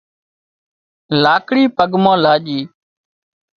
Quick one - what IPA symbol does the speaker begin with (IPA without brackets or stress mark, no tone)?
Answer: l